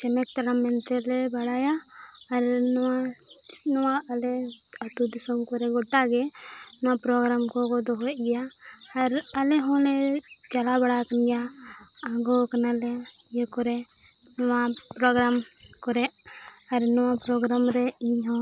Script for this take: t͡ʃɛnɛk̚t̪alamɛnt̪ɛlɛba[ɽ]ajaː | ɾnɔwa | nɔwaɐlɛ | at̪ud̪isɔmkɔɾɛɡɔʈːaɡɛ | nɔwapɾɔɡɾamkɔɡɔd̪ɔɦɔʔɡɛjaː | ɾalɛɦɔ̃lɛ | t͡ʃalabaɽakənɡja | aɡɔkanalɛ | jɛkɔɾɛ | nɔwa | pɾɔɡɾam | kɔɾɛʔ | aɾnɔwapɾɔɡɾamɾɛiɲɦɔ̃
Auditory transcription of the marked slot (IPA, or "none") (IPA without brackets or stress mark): ɽ